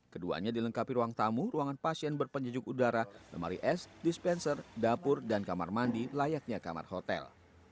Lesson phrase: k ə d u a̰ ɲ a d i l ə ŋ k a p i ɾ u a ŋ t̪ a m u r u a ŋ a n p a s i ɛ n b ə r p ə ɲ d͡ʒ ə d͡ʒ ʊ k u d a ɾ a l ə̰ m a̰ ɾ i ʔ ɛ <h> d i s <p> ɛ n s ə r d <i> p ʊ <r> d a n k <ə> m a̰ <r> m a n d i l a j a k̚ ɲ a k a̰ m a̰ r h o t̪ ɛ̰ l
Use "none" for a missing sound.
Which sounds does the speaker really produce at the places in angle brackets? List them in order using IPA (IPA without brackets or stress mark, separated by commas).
s, p, a, r, a, r